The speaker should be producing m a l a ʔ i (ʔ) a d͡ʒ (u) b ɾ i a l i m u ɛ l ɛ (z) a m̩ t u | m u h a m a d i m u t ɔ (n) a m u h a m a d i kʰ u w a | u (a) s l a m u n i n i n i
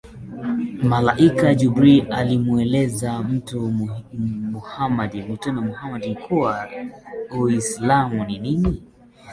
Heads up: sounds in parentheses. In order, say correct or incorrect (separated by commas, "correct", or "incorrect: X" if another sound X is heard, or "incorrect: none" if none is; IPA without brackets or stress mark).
incorrect: k, correct, correct, correct, incorrect: i